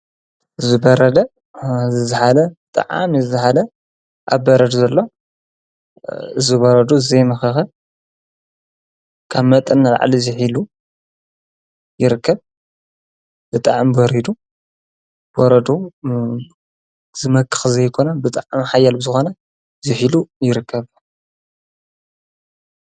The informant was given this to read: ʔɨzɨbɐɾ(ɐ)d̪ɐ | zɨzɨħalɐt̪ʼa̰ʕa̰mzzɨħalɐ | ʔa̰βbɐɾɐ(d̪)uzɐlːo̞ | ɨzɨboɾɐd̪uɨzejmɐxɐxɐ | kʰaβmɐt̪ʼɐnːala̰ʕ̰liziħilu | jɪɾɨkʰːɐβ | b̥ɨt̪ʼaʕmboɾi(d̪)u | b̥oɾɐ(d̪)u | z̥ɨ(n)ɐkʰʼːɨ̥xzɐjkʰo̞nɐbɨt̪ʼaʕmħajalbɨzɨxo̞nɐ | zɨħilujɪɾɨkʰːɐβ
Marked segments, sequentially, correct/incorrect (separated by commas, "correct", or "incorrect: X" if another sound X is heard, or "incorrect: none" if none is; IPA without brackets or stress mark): correct, correct, correct, correct, incorrect: m